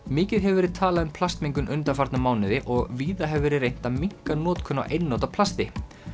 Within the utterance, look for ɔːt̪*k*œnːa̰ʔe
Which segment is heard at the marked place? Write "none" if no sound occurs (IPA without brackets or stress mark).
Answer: kʰ